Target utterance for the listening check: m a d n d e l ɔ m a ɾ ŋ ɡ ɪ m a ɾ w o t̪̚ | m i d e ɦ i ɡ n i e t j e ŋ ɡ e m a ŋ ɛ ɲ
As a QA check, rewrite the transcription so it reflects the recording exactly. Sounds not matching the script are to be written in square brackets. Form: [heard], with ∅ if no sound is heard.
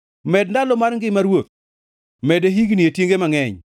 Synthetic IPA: m [ɛ] d n d [a] l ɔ m a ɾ ŋ ɡ ɪ m a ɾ w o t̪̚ | m [ɛ] d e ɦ i ɡ n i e t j e ŋ ɡ e m a ŋ ɛ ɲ